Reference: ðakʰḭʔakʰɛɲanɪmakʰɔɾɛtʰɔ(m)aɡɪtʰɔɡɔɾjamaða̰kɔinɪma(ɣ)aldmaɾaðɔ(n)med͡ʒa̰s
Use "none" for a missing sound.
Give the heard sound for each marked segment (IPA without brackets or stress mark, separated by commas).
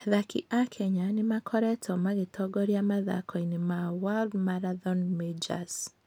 m, w, n